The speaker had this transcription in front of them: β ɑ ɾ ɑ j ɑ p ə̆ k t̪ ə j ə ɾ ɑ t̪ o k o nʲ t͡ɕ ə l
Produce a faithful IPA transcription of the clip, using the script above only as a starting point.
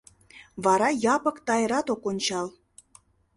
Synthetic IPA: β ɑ ɾ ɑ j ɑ p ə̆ k t̪ ɑ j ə ɾ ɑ t̪ o k o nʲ t͡ɕ ɑ l